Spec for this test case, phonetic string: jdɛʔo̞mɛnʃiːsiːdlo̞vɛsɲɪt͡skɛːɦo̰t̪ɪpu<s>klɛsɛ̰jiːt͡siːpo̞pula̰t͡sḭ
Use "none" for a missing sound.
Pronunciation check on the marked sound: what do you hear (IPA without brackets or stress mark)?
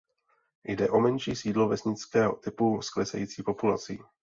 s